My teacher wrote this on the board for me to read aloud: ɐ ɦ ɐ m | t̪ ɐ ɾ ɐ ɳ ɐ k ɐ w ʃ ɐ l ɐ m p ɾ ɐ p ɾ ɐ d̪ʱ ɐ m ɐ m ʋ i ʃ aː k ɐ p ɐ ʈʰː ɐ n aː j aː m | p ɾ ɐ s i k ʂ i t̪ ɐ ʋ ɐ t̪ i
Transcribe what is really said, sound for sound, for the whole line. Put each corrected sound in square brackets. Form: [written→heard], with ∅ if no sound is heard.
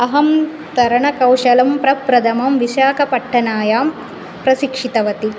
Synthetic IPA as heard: ɐ ɦ ɐ m | t̪ ɐ ɾ ɐ ɳ ɐ k ɐ w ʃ ɐ l ɐ m p ɾ ɐ p ɾ ɐ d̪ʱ ɐ m ɐ m ʋ i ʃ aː k ɐ p ɐ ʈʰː ɐ n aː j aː m | p ɾ ɐ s i k ʂ i t̪ ɐ ʋ ɐ t̪ i